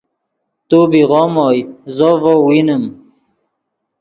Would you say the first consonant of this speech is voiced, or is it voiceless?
voiceless